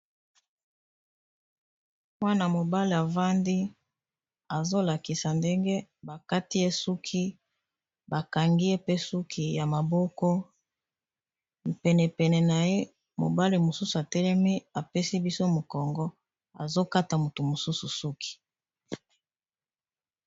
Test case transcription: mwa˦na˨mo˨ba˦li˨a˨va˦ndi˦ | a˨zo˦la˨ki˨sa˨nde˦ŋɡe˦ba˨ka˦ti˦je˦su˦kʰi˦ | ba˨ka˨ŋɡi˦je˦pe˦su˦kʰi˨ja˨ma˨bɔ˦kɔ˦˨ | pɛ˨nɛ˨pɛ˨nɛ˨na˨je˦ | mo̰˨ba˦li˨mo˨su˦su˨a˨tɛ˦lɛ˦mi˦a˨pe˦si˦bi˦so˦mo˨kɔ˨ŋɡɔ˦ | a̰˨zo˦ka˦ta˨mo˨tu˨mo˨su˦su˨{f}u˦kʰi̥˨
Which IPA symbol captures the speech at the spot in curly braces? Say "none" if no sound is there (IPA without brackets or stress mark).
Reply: s